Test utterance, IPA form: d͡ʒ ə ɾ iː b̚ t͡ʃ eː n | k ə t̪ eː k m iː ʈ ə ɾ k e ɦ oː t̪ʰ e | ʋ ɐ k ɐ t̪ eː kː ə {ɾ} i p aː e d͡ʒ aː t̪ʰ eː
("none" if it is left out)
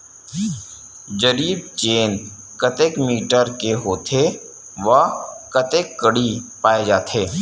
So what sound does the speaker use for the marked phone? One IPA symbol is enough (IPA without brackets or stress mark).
ɽ